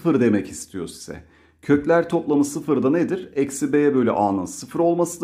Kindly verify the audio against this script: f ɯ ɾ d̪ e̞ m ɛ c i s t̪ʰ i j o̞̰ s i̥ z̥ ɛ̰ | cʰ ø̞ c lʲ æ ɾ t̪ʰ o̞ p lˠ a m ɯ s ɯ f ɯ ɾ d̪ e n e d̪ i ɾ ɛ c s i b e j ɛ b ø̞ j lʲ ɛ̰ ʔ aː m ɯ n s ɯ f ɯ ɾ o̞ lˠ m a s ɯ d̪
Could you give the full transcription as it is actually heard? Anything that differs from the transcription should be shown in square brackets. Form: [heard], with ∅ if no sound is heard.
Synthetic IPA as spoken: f ɯ ɾ d̪ e̞ m ɛ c i s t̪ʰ i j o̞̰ s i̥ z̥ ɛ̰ | cʰ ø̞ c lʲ æ ɾ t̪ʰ o̞ p lˠ a m ɯ s ɯ f ɯ ɾ d̪ [a] n e d̪ i ɾ ɛ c s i b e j ɛ b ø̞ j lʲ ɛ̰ ʔ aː [n] ɯ n s ɯ f ɯ ɾ o̞ lˠ m a s ɯ d̪